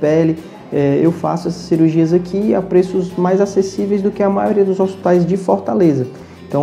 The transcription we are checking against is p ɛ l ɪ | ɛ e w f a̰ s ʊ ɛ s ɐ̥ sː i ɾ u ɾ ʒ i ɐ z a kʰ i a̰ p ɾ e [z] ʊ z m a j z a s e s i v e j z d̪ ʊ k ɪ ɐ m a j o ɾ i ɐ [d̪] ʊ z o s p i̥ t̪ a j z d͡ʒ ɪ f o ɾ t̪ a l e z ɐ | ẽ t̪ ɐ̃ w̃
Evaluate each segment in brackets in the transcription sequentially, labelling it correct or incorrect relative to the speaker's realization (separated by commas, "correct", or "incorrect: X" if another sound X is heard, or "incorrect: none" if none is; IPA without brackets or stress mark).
incorrect: s, correct